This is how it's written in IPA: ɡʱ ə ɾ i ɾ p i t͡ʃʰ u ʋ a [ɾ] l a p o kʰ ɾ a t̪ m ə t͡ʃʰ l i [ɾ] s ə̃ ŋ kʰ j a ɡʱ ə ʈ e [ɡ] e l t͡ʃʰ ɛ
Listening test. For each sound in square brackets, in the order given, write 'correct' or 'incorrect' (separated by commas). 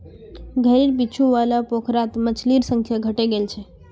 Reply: incorrect, correct, correct